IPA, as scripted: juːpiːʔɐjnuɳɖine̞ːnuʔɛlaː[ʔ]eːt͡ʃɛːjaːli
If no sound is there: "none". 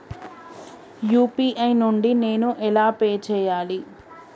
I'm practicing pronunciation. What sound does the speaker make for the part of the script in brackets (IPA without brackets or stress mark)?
p